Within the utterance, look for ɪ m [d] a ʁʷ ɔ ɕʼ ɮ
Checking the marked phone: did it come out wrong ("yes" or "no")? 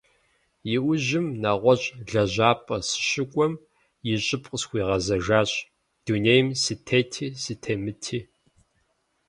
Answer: yes